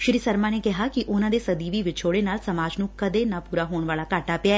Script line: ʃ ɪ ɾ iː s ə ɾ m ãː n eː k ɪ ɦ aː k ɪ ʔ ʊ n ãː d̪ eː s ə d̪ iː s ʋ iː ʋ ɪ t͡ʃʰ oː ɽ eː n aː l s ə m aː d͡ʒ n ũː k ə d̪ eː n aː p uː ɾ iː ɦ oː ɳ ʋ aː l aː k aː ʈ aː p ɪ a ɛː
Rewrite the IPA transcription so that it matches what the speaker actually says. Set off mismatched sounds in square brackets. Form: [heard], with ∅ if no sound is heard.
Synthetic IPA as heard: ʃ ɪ ɾ iː s ə ɾ m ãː n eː k ɪ ɦ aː k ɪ ʔ ʊ n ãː d̪ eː s ə d̪ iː [∅] ʋ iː ʋ ɪ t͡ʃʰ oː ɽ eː n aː l s ə m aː d͡ʒ n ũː k ə d̪ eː n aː p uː ɾ [aː] ɦ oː ɳ ʋ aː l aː k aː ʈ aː p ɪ a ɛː